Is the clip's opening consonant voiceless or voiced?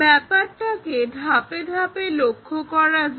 voiceless